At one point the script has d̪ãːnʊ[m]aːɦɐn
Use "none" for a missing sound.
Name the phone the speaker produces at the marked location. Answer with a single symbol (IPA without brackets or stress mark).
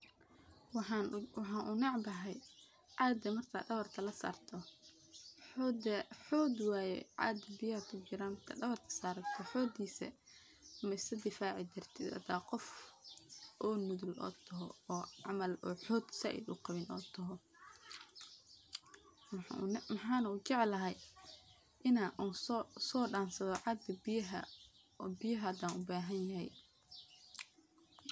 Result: b